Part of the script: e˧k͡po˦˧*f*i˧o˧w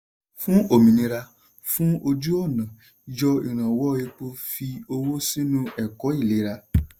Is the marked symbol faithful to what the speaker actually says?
yes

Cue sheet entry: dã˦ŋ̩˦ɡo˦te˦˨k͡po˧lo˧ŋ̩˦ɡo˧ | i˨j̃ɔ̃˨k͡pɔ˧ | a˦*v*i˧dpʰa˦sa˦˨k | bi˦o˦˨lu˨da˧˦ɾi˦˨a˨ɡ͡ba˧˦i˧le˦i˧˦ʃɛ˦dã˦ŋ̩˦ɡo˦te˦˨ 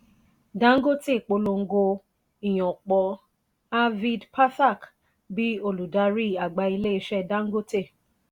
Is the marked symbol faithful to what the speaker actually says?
yes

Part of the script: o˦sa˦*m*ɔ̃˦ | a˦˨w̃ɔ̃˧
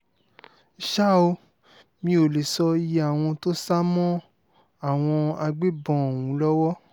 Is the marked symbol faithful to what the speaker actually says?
yes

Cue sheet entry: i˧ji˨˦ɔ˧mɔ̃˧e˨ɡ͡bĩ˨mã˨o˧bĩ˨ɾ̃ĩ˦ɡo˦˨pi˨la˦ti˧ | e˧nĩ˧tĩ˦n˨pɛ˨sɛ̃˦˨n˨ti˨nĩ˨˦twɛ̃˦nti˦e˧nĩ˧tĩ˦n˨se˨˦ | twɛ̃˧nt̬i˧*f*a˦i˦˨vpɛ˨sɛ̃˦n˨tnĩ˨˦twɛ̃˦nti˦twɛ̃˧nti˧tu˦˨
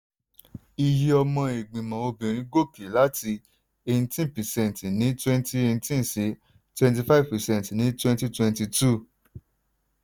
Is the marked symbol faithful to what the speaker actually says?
yes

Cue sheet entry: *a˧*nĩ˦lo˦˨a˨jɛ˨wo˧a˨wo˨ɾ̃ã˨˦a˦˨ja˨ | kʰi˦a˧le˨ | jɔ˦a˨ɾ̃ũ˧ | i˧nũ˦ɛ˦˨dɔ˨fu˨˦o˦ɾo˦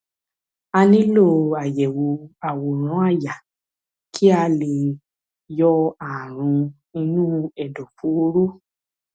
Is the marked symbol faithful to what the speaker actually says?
yes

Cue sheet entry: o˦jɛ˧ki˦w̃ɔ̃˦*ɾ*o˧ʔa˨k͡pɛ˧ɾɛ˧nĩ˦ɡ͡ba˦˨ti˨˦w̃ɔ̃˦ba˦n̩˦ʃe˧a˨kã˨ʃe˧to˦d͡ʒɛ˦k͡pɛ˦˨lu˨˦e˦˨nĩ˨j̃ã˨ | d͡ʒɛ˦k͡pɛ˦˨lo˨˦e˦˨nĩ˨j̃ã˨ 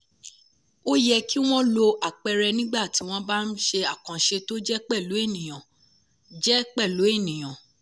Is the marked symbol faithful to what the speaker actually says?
no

